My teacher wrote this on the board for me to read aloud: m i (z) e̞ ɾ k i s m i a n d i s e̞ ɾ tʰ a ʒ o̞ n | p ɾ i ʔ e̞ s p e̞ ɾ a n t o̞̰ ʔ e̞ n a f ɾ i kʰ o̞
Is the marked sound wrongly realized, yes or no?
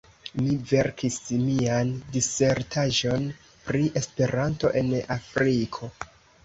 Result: yes